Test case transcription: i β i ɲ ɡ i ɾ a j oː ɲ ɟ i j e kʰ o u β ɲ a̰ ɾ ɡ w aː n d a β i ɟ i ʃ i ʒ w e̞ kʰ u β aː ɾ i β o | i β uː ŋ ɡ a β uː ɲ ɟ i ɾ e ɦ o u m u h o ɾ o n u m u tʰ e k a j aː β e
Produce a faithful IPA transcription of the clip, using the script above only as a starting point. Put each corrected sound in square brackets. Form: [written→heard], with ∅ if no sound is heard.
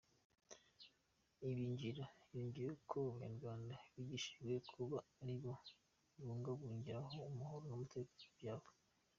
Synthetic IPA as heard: i β i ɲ [ɡ→ɟ] i ɾ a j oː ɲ ɟ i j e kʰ o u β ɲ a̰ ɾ ɡ w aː n d a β i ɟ i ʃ i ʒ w e̞ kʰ u β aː ɾ i β o | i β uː ŋ ɡ a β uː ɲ ɟ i ɾ [e→a] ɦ o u m u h o ɾ o n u m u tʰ e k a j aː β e

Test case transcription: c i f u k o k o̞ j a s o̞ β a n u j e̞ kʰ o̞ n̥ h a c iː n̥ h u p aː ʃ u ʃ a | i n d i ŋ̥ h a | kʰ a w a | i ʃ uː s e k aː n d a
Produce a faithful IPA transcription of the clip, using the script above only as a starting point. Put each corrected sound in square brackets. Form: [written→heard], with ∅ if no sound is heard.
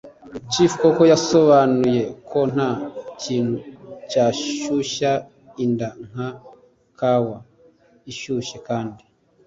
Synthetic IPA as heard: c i f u k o k o̞ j a s o̞ β a n u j e̞ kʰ o̞ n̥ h a c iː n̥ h u [p→c] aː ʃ u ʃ a | i n d [i→a] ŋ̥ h a | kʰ a w a | i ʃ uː [s→ʃ] e k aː n d [a→i]

